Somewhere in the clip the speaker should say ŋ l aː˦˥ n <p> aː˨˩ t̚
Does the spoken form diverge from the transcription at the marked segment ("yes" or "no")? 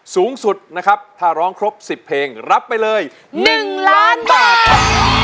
yes